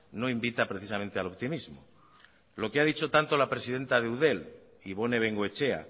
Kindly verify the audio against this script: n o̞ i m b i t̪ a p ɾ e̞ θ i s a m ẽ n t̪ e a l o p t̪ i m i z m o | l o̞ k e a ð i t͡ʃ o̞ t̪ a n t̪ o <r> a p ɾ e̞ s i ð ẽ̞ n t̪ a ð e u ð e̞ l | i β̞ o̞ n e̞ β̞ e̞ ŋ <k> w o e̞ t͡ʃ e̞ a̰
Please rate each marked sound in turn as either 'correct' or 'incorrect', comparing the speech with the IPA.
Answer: incorrect: l, incorrect: ɡ

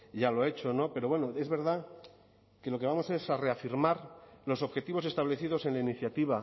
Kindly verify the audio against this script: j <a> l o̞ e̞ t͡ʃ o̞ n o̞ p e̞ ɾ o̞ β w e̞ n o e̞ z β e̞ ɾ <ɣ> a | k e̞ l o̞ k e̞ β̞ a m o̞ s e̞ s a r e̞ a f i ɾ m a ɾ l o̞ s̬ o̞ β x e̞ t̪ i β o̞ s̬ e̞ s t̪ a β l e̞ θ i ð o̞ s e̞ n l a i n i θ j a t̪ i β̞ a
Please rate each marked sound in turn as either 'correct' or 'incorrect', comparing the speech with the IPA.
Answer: correct, incorrect: ð

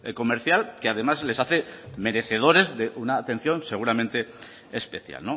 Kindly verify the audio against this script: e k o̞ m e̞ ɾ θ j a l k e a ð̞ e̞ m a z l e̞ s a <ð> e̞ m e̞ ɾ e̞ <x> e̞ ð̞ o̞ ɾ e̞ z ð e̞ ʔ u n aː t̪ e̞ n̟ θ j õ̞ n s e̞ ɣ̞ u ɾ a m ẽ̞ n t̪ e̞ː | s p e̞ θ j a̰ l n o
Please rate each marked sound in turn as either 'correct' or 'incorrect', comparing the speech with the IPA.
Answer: incorrect: θ, incorrect: θ

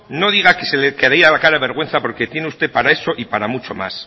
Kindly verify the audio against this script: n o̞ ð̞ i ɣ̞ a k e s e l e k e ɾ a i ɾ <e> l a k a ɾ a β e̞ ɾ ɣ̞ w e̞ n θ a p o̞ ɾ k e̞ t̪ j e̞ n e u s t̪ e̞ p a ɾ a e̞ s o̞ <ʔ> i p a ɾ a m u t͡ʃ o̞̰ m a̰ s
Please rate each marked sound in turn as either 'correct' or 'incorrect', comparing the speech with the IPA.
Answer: incorrect: a, correct

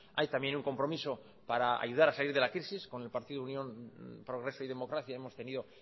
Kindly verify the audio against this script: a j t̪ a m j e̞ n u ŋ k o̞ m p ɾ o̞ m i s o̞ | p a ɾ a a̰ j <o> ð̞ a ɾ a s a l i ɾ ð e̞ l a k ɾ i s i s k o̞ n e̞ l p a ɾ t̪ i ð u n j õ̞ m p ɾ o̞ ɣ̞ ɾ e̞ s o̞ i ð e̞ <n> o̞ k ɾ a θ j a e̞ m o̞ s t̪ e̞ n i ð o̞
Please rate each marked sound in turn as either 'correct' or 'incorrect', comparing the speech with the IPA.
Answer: incorrect: u, incorrect: m

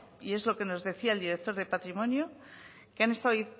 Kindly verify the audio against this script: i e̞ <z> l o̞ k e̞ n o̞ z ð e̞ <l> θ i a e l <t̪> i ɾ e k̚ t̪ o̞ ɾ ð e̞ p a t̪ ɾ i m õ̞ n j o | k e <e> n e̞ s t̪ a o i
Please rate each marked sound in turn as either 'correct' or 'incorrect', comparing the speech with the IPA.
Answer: correct, incorrect: none, incorrect: d̪, incorrect: a

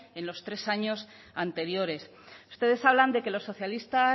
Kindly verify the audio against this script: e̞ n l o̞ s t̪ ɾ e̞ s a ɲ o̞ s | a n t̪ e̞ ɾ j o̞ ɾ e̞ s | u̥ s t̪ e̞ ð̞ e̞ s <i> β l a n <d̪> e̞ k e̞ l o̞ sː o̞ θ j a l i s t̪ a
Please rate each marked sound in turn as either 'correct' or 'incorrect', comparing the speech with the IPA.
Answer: incorrect: a, correct

